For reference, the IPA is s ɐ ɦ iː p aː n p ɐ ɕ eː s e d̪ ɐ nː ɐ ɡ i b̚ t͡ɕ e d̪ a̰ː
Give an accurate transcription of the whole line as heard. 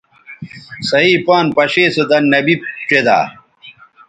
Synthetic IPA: s ɐ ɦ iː p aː n p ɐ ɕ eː s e d̪ ɐ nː ɐ b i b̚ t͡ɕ e d̪ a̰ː